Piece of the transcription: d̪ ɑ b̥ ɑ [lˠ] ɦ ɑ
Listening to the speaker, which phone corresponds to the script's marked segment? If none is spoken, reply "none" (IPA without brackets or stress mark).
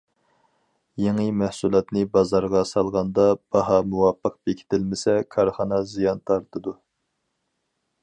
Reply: none